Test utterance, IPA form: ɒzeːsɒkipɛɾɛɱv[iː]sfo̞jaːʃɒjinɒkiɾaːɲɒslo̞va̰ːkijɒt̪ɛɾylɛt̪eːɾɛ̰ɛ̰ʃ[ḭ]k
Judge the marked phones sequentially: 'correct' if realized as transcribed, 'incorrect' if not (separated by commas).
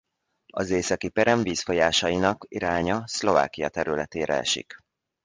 correct, correct